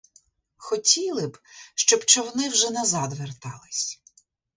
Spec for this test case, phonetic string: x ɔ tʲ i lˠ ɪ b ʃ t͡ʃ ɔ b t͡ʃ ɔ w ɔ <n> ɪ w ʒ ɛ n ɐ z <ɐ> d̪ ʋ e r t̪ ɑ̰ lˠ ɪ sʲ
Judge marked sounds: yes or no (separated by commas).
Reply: yes, no